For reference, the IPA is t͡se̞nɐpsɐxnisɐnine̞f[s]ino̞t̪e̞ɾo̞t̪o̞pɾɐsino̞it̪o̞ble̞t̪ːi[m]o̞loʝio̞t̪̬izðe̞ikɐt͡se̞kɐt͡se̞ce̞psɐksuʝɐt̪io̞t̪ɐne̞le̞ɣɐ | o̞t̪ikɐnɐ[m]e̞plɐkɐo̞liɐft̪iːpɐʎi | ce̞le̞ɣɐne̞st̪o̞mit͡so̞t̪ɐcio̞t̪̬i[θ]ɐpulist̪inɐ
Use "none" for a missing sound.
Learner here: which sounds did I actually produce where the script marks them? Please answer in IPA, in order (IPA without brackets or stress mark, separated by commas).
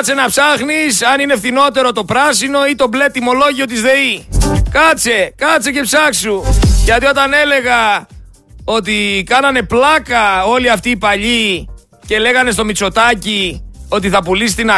θ, m, n, θ